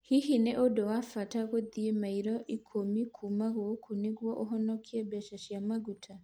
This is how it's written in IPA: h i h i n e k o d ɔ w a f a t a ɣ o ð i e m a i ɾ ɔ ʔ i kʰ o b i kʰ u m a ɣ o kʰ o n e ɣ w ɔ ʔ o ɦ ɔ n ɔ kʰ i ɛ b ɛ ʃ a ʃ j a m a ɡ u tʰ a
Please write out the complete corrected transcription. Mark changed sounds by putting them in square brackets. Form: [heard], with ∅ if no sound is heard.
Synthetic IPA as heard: h i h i n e [ʔ] o d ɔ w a f a t a ɣ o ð i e m a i ɾ ɔ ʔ i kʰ o [m] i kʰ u m a ɣ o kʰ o n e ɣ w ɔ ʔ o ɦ ɔ n ɔ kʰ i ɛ b ɛ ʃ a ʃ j a m a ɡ u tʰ a